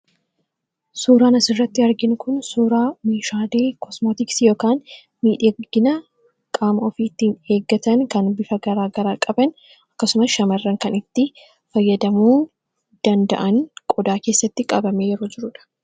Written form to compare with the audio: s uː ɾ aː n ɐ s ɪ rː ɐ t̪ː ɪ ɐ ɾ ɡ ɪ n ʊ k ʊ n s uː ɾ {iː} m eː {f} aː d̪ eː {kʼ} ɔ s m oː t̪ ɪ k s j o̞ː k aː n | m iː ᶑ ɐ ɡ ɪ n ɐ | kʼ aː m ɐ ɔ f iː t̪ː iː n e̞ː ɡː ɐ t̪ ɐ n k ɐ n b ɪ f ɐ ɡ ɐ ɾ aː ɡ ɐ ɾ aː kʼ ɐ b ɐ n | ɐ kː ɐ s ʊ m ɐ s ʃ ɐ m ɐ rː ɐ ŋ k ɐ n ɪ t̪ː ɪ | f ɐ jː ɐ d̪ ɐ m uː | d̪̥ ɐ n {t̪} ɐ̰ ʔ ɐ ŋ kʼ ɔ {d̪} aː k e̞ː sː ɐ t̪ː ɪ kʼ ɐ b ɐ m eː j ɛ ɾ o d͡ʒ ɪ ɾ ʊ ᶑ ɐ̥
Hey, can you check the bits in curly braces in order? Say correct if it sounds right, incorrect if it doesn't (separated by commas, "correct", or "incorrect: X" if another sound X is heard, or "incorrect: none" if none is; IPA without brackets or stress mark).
incorrect: aː, incorrect: ʃ, incorrect: k, incorrect: d̪, correct